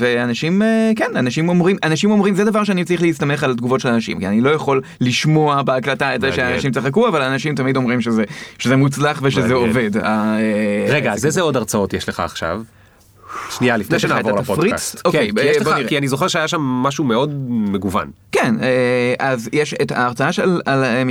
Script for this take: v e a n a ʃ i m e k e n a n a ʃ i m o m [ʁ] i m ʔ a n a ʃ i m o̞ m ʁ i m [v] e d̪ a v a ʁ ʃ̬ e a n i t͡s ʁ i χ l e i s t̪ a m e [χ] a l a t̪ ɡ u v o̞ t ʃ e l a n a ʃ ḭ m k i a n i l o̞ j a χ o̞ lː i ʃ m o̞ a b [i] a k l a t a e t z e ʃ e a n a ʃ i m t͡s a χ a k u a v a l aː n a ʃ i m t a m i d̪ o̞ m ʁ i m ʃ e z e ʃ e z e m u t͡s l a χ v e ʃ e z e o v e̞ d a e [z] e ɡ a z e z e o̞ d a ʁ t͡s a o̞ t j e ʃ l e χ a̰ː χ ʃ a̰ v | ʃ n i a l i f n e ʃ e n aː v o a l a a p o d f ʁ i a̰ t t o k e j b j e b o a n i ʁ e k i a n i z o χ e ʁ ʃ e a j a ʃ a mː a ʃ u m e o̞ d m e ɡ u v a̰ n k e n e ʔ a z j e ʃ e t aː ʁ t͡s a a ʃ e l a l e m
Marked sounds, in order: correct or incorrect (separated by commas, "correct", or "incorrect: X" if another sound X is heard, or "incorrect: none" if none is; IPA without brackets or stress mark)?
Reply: correct, incorrect: z, correct, incorrect: e, incorrect: ʁ